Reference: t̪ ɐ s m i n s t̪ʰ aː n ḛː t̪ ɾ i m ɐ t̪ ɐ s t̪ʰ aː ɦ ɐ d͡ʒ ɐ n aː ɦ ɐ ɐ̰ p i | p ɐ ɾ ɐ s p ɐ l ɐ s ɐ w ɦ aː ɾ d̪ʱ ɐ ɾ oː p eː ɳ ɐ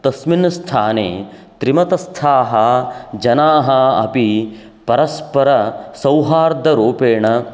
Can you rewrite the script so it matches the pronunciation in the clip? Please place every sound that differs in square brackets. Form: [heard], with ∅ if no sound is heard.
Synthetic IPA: t̪ ɐ s m i n s t̪ʰ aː n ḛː t̪ ɾ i m ɐ t̪ ɐ s t̪ʰ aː ɦ ɐ d͡ʒ ɐ n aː ɦ ɐ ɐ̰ p i | p ɐ ɾ ɐ s p ɐ [ɾ] ɐ s ɐ w ɦ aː ɾ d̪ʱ ɐ ɾ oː p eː ɳ ɐ

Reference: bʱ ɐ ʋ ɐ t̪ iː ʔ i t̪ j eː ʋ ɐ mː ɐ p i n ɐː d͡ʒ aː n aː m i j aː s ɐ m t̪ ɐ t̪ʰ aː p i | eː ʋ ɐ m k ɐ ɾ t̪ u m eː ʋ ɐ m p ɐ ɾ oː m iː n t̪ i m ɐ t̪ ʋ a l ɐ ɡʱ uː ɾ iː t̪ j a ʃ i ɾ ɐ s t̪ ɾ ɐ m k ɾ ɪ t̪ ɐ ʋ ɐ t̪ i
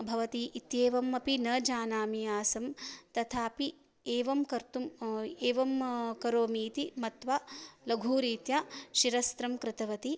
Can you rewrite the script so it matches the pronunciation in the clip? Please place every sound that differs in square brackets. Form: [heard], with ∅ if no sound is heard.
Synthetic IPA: bʱ ɐ ʋ ɐ t̪ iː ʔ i t̪ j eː ʋ ɐ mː ɐ p i n ɐː d͡ʒ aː n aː m i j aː s ɐ m t̪ ɐ t̪ʰ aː p i | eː ʋ ɐ m k ɐ ɾ t̪ u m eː ʋ ɐ m [k] ɐ ɾ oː m iː [∅] t̪ i m ɐ t̪ ʋ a l ɐ ɡʱ uː ɾ iː t̪ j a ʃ i ɾ ɐ s t̪ ɾ ɐ m k ɾ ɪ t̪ ɐ ʋ ɐ t̪ i

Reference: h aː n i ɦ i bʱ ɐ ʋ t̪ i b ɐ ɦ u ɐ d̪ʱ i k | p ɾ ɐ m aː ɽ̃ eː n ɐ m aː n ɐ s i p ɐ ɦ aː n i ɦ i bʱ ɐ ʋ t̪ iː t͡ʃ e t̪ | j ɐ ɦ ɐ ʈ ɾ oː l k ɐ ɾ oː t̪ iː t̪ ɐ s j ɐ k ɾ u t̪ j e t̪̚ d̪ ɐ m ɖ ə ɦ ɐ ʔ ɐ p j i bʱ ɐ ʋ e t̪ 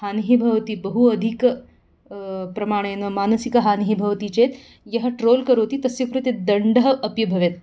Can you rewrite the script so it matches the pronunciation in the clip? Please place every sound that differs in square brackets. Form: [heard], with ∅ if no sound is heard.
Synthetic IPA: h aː n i ɦ i bʱ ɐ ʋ t̪ i b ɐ ɦ u ɐ d̪ʱ i k | p ɾ ɐ m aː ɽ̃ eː n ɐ m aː n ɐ s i [k] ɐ ɦ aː n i ɦ i bʱ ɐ ʋ t̪ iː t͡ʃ e t̪ | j ɐ ɦ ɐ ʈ ɾ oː l k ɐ ɾ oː t̪ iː t̪ ɐ s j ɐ k ɾ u t̪ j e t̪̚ d̪ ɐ [ɳ] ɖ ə ɦ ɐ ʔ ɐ p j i bʱ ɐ ʋ e t̪

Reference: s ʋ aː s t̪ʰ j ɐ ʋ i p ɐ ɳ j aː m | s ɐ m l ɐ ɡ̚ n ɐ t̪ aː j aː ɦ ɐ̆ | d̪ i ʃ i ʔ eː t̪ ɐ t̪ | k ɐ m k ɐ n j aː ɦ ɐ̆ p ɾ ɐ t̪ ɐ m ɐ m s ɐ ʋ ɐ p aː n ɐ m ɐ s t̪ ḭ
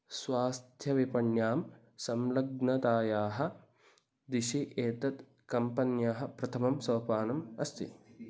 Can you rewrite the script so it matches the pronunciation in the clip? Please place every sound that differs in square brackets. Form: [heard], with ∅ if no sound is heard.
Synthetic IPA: s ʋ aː s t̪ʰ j ɐ ʋ i p ɐ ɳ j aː m | s ɐ m l ɐ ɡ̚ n ɐ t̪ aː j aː ɦ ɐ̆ | d̪ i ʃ i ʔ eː t̪ ɐ t̪ | k ɐ m [p] ɐ n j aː ɦ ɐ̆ p ɾ ɐ [t̪ʰ] ɐ m ɐ m s ɐ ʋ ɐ p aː n ɐ m ɐ s t̪ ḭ

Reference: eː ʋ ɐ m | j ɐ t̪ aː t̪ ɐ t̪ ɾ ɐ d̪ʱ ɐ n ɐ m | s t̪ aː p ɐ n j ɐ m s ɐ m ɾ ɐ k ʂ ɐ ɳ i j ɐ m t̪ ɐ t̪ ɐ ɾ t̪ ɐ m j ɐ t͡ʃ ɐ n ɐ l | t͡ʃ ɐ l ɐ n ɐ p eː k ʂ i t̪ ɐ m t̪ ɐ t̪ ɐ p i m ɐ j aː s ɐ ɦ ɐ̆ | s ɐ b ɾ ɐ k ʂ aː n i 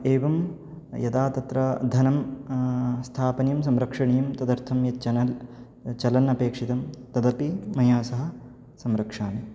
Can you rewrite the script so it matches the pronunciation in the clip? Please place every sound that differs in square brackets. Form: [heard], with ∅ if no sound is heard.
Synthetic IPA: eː ʋ ɐ m | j ɐ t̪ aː t̪ ɐ t̪ ɾ ɐ d̪ʱ ɐ n ɐ m | s [t̪ʰ] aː p ɐ n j ɐ m s ɐ m ɾ ɐ k ʂ ɐ ɳ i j ɐ m t̪ ɐ [d̪] ɐ ɾ [t̪ʰ] ɐ m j ɐ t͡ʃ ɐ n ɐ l | t͡ʃ ɐ l ɐ n ɐ p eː k ʂ i t̪ ɐ m t̪ ɐ [d̪] ɐ p i m ɐ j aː s ɐ ɦ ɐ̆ | s ɐ [m] ɾ ɐ k ʂ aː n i

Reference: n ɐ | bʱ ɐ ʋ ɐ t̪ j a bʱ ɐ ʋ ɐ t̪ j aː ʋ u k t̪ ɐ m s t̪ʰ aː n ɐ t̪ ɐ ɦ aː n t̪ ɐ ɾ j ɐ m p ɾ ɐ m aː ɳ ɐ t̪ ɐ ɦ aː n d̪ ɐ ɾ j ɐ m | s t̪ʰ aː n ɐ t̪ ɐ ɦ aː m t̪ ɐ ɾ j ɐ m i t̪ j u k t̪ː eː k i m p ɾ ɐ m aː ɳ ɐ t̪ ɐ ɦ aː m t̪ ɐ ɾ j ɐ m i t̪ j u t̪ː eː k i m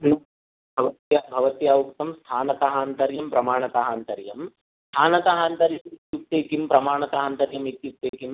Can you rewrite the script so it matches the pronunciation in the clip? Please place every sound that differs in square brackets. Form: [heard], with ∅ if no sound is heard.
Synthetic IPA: n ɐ | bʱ ɐ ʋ ɐ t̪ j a bʱ ɐ ʋ ɐ t̪ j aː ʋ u k t̪ ɐ m s t̪ʰ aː n ɐ t̪ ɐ ɦ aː n t̪ ɐ ɾ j ɐ m p ɾ ɐ m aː ɳ ɐ t̪ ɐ ɦ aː n [t̪] ɐ ɾ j ɐ m | s t̪ʰ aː n ɐ t̪ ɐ ɦ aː [n] t̪ ɐ ɾ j ɐ m i t̪ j u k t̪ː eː k i m p ɾ ɐ m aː ɳ ɐ t̪ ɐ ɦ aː [n] t̪ ɐ ɾ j ɐ m i t̪ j u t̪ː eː k i m

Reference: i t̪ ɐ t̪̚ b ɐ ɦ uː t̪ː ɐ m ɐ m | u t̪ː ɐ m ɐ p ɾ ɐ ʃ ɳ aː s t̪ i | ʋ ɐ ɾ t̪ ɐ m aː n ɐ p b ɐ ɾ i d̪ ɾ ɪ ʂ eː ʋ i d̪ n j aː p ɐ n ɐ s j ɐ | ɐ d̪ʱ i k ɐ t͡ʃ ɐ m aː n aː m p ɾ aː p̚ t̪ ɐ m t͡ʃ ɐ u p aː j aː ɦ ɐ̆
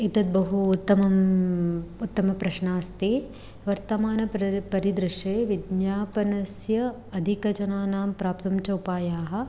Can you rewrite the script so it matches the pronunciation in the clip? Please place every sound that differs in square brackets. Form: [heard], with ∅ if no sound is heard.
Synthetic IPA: i t̪ ɐ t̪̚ b ɐ ɦ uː t̪ː ɐ m ɐ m | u t̪ː ɐ m ɐ p ɾ ɐ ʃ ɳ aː s t̪ i | ʋ ɐ ɾ t̪ ɐ m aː n ɐ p [p] ɐ ɾ i d̪ ɾ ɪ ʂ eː ʋ i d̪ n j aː p ɐ n ɐ s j ɐ | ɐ d̪ʱ i k ɐ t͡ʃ ɐ [n] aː n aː m p ɾ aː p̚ t̪ ɐ m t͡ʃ ɐ u p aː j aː ɦ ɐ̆

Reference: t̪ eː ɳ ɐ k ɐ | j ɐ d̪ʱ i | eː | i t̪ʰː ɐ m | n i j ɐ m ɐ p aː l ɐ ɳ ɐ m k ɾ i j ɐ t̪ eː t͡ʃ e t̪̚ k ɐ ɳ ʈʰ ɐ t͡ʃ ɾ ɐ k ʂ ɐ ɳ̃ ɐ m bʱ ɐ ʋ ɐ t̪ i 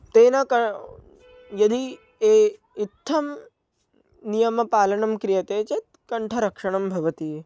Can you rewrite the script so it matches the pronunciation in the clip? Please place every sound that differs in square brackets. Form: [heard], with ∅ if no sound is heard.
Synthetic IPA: t̪ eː [n] ɐ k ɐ | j ɐ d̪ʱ i | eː | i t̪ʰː ɐ m | n i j ɐ m ɐ p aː l ɐ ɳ ɐ m k ɾ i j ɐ t̪ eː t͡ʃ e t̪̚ k ɐ ɳ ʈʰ ɐ [∅] ɾ ɐ k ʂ ɐ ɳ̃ ɐ m bʱ ɐ ʋ ɐ t̪ i

